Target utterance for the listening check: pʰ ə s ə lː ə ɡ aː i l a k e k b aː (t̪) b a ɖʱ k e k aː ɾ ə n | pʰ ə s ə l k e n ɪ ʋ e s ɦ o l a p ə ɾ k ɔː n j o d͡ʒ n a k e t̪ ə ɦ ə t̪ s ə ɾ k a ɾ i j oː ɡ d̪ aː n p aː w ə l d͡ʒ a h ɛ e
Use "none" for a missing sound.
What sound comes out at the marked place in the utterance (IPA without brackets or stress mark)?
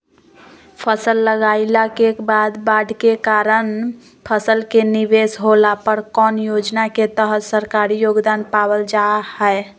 d̪